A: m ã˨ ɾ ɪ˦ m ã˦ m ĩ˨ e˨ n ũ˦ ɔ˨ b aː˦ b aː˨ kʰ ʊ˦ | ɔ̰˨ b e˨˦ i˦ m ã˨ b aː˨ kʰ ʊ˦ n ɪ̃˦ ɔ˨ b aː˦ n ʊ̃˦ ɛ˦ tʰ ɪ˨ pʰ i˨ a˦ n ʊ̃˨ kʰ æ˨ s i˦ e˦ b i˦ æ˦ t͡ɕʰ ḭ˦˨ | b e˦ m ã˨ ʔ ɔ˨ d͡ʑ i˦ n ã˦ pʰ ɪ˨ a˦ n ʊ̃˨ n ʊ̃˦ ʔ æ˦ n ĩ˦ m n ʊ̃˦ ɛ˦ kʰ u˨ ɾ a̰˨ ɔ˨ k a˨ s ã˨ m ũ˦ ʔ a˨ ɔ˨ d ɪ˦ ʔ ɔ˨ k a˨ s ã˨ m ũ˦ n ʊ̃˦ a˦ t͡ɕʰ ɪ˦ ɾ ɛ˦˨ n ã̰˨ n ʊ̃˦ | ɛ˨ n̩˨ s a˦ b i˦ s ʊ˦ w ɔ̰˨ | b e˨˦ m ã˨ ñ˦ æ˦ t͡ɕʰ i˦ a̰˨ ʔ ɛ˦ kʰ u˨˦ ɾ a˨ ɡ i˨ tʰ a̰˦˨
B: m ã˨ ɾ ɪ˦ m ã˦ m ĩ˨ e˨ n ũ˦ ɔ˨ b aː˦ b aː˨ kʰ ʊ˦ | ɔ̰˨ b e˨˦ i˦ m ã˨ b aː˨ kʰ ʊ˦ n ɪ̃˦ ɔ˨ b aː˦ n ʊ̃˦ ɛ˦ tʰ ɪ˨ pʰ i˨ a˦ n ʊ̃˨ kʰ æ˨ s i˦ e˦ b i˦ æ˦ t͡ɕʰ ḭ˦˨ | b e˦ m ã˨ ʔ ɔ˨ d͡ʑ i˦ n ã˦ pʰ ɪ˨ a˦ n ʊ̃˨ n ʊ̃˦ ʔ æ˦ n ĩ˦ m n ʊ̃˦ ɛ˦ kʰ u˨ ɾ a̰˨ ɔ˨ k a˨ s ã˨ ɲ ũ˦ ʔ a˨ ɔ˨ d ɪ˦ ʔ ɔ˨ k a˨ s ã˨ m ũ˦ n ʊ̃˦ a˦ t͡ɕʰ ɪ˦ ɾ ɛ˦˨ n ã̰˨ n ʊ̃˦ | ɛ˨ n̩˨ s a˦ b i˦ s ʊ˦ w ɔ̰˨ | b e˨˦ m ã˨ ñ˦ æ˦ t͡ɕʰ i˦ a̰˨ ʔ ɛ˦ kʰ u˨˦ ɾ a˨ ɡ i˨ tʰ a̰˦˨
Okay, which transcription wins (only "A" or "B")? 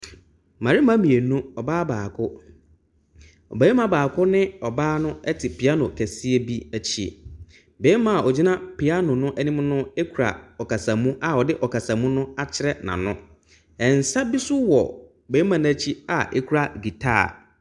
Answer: A